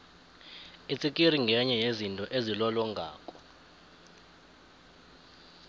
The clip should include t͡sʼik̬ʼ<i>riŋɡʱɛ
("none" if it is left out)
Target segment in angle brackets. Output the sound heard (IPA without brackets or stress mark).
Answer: i